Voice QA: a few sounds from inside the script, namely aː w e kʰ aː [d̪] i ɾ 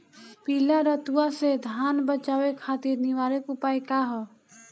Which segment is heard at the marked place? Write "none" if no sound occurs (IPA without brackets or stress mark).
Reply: t̪